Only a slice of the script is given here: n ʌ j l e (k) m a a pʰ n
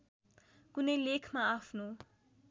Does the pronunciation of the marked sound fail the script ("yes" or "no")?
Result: yes